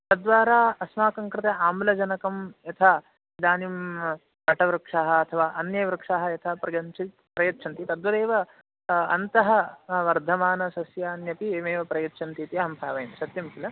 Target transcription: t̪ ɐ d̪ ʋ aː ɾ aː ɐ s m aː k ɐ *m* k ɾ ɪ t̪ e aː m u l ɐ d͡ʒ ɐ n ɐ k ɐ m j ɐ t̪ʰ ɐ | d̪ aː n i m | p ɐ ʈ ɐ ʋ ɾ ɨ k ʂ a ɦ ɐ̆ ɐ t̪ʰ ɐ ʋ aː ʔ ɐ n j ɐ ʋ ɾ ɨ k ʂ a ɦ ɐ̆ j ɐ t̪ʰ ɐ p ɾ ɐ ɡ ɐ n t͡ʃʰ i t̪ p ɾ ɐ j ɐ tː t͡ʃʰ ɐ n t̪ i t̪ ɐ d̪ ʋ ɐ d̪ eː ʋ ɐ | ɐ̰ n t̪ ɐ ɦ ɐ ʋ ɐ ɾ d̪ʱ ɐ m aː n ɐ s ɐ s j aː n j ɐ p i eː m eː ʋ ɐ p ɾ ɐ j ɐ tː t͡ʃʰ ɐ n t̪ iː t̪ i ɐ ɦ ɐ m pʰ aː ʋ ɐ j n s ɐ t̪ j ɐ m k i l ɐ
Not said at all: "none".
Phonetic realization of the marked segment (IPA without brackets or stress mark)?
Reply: ŋ